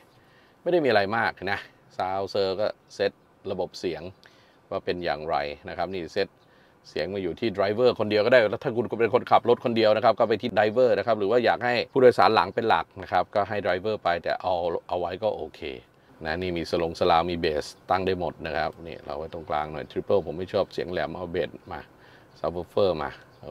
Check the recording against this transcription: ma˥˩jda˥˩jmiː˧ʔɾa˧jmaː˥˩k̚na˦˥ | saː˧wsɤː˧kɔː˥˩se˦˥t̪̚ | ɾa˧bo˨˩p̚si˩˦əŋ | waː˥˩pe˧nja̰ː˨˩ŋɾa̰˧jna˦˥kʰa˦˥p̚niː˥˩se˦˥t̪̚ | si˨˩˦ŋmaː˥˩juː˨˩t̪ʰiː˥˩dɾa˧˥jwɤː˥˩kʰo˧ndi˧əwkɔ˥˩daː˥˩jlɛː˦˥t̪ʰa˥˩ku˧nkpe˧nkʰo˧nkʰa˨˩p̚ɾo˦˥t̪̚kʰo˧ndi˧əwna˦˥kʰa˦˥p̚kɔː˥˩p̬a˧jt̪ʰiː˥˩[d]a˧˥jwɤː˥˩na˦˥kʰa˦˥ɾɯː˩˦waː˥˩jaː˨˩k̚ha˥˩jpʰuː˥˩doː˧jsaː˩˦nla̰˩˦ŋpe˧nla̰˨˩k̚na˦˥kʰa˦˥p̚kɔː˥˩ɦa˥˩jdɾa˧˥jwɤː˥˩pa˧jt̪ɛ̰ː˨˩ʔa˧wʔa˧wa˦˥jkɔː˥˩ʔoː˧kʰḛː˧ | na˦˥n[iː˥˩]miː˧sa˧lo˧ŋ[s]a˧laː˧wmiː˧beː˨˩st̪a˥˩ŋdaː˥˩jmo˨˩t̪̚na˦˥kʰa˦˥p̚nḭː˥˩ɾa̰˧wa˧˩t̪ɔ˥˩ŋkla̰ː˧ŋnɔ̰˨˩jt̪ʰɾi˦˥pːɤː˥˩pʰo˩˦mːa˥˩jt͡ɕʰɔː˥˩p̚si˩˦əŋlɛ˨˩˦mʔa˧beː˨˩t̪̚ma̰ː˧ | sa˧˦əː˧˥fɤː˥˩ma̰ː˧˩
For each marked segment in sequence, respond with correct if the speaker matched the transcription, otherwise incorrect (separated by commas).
correct, correct, correct